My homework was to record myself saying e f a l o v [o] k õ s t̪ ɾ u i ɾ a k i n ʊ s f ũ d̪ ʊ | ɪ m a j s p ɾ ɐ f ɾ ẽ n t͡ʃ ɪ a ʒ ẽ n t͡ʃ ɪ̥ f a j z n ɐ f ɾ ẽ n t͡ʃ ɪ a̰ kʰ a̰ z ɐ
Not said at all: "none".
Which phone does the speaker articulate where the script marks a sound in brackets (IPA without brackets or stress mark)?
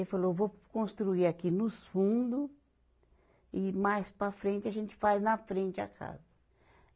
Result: o